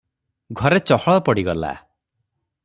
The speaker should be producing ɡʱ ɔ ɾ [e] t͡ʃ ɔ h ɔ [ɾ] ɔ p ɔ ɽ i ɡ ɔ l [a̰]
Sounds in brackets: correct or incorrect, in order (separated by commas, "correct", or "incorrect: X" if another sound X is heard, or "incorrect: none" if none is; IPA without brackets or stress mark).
correct, incorrect: ɭ, correct